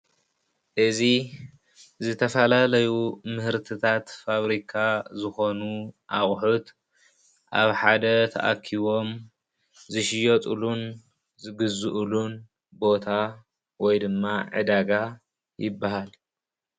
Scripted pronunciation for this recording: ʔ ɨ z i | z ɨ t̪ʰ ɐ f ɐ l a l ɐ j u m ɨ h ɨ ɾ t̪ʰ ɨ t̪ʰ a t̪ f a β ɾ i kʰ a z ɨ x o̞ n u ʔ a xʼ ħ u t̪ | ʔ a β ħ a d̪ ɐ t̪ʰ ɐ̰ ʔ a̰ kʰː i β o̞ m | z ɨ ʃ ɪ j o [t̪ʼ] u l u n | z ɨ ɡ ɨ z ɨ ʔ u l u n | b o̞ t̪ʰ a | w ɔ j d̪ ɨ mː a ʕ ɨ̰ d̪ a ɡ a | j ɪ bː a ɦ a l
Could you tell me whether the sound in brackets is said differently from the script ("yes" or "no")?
no